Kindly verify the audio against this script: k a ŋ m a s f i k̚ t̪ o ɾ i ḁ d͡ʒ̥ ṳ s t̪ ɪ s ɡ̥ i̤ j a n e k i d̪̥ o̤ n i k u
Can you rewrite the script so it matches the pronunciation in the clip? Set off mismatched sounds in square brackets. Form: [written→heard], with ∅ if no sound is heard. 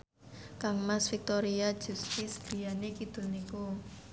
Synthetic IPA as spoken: k a ŋ m a s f i k̚ t̪ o ɾ i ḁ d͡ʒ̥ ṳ s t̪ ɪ s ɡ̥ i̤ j a n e k i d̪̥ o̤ n i k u